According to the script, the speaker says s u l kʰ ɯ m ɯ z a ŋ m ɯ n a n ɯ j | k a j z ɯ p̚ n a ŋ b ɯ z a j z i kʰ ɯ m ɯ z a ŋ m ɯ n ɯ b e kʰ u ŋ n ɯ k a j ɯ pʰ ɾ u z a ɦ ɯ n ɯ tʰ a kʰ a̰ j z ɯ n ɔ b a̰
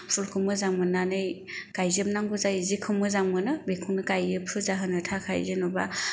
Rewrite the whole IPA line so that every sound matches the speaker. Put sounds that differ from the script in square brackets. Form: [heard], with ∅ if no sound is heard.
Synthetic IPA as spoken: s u l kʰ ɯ m ɯ z a ŋ m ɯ n a n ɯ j | k a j z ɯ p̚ n a ŋ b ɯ z a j z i kʰ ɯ m ɯ z a ŋ m ɯ n ɯ b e kʰ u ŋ n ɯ k a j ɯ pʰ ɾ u z a ɦ ɯ n ɯ tʰ a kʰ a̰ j z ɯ n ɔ b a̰

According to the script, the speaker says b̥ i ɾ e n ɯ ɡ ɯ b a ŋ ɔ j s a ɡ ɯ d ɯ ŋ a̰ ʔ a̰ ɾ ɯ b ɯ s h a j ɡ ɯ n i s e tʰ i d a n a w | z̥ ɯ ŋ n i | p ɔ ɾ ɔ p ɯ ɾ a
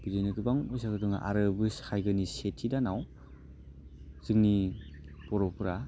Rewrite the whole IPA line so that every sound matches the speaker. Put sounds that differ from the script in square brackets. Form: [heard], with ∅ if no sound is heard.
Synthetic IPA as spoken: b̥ i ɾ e n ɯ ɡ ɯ b a ŋ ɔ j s a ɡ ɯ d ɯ ŋ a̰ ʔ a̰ ɾ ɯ b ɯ s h a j ɡ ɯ n i s e tʰ i d a n a w | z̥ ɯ ŋ n i | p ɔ ɾ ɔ p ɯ ɾ a

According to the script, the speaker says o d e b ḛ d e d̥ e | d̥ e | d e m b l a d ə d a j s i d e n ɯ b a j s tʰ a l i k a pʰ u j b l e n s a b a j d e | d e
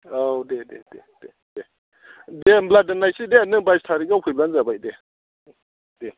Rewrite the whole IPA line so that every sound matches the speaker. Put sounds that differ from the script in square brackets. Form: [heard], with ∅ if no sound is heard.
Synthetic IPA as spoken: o d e [d] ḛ d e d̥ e | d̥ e | d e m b l a d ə [n] a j s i d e n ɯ b a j s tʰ a [ɾ] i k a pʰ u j b l [a] n [z] a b a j d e | d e

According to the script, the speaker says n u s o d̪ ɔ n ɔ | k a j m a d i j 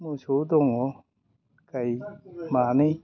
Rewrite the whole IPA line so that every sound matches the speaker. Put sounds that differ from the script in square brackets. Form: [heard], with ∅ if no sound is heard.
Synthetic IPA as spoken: [m] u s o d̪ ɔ [ŋ] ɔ | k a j m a [n] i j

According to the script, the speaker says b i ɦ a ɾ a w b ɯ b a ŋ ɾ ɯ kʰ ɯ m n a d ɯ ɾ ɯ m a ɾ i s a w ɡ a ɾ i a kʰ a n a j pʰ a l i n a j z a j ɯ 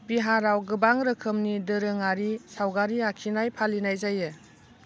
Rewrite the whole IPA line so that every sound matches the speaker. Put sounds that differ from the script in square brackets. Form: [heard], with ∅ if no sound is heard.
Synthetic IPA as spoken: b i ɦ a ɾ a w [ɡ] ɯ b a ŋ ɾ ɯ kʰ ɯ m n [i] d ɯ ɾ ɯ [ŋ] a ɾ i s a w ɡ a ɾ i a kʰ [i] n a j pʰ a l i n a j z a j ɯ

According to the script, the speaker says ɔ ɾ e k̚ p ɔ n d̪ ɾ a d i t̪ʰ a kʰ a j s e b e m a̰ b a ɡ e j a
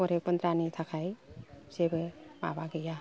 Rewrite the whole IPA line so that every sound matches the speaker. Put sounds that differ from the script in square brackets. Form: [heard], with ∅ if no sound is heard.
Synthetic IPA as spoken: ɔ ɾ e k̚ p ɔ n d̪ ɾ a [n] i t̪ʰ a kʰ a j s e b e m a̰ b a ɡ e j a

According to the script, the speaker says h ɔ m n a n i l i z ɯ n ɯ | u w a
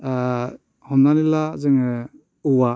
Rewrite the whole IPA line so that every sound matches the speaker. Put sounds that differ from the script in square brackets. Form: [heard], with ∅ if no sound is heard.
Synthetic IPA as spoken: h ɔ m n a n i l [a] z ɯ [ŋ] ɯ | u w a

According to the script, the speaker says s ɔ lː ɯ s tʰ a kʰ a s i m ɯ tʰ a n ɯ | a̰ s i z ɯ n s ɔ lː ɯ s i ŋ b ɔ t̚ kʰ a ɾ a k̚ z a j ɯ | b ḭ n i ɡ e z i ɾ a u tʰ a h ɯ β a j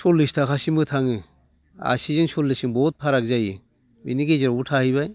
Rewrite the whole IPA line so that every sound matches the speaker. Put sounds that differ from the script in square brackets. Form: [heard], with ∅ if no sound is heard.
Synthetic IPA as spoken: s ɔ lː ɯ s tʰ a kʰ a s i m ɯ tʰ a [ŋ] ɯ | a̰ s i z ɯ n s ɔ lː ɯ s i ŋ b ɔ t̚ [pʰ] a ɾ a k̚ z a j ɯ | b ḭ n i ɡ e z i ɾ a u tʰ a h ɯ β a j

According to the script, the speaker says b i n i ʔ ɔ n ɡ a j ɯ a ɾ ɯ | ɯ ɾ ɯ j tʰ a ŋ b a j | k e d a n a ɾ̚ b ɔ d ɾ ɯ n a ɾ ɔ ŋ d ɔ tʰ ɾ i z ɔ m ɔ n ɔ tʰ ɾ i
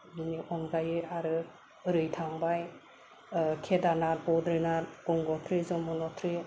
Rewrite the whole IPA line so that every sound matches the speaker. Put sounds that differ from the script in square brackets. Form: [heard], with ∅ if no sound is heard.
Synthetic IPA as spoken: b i n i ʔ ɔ n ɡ a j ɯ a ɾ ɯ | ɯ ɾ ɯ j tʰ a ŋ b a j | [kʰ] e d a n a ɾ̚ b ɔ d ɾ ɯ n a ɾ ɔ ŋ [ɡ] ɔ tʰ ɾ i z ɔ m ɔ n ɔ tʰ ɾ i

